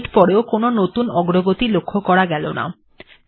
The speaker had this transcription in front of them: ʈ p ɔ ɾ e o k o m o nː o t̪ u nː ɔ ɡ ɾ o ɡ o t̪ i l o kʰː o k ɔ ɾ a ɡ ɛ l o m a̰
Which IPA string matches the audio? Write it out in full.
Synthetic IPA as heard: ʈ p ɔ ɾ e o k o n o n o t̪ u n ɔ ɡ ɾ o ɡ o t̪ i l o kʰː o k ɔ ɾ a ɡ ɛ l o n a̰